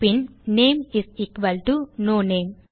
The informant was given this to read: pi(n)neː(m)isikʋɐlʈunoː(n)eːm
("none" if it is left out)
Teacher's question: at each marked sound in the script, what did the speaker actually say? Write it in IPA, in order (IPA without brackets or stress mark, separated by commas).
n, m, n